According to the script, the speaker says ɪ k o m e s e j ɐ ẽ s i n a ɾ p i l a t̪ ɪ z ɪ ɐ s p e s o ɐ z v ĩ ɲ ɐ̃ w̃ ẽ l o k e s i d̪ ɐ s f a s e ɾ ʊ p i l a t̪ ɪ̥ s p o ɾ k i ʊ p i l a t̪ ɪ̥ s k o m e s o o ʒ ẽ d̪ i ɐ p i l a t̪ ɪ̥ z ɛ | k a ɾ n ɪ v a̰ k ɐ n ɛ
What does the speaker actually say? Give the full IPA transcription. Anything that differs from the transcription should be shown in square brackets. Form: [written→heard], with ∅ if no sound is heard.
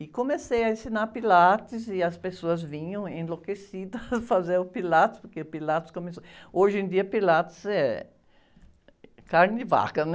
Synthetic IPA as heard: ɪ k o m e s e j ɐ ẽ s i n a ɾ p i l a t̪ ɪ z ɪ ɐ s p e s o ɐ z v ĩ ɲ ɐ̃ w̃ ẽ l o k e s i d̪ ɐ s f a [s→z] e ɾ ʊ p i l a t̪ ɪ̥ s p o ɾ k [i→e] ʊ p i l a t̪ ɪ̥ s k o m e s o o ʒ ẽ d̪ i ɐ p i l a t̪ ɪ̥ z ɛ | k a ɾ n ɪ v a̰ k ɐ n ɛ

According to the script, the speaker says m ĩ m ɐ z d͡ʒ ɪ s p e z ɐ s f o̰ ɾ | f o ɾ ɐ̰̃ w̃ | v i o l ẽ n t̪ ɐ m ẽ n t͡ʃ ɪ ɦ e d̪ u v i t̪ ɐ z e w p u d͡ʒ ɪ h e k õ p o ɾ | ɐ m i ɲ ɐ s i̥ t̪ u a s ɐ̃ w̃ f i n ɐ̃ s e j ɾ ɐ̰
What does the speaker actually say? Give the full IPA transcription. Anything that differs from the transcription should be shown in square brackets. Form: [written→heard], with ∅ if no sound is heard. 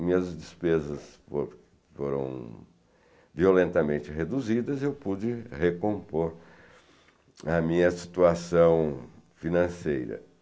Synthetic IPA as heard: m ĩ [m→ɲ] ɐ z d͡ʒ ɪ s p e z ɐ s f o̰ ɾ | f o ɾ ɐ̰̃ w̃ | v i o l ẽ n t̪ ɐ m ẽ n t͡ʃ ɪ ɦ e d̪ u [v→z] i [t̪→d̪] ɐ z e w p u d͡ʒ ɪ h e k õ p o ɾ | ɐ m [i→ĩ] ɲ ɐ s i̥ t̪ u a s ɐ̃ w̃ f i n ɐ̃ s e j ɾ ɐ̰

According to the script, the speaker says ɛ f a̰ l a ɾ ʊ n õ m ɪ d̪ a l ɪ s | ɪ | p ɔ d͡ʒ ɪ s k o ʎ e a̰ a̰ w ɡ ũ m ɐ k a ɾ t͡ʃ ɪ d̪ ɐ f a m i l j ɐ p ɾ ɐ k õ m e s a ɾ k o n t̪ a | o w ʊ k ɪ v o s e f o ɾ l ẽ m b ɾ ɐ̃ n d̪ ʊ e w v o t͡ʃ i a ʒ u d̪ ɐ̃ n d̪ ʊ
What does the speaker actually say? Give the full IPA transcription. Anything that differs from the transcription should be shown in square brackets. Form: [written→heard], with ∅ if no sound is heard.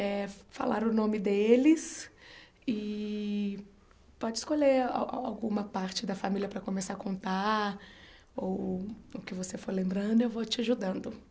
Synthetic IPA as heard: ɛ f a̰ l a ɾ ʊ n õ m ɪ d̪ [a→e] l ɪ s | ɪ | p ɔ d͡ʒ ɪ s k o ʎ e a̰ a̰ w ɡ ũ m ɐ [k→p] a ɾ t͡ʃ ɪ d̪ ɐ f a m i l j ɐ p ɾ ɐ k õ m e s a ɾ k [o→õ] n t̪ a | o w ʊ k ɪ v o s e f o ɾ l ẽ m b ɾ ɐ̃ n d̪ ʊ e w v o t͡ʃ [i→ɪ] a ʒ u d̪ ɐ̃ n d̪ ʊ

